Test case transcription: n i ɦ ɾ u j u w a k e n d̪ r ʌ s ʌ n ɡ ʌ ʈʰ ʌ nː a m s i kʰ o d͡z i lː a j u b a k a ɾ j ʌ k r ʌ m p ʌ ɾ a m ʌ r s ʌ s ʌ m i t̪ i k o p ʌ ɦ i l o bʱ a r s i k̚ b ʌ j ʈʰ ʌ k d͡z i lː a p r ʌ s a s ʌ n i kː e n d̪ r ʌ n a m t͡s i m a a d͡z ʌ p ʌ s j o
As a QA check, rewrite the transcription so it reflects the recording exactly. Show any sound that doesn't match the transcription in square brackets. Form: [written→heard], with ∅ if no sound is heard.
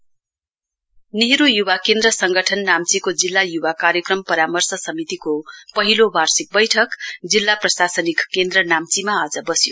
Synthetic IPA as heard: n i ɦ ɾ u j u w a k e n d̪ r ʌ s ʌ [n→ŋ] ɡ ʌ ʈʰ ʌ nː a m [s→t͡s] i [kʰ→k] o d͡z i lː a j u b a k a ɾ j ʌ k r ʌ m p ʌ ɾ a m ʌ r s ʌ s ʌ m i t̪ i k o p ʌ ɦ i l o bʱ a r s i k̚ b ʌ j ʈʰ ʌ k d͡z i lː a p r ʌ s a s ʌ n i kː e n d̪ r ʌ n a m t͡s i m a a d͡z ʌ [p→b] ʌ s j o